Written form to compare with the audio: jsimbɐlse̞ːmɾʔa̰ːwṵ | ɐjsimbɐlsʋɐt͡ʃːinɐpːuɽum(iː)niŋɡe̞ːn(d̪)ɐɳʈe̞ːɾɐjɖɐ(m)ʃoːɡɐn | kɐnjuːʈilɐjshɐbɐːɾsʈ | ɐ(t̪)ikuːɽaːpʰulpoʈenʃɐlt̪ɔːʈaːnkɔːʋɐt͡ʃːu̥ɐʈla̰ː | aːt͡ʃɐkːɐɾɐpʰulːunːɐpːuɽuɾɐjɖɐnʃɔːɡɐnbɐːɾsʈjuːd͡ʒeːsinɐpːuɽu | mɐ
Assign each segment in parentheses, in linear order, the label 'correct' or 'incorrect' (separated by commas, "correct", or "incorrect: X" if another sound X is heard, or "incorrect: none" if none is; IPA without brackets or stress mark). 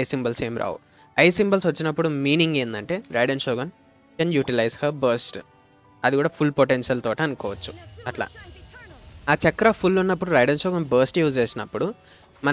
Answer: correct, correct, incorrect: n, incorrect: d̪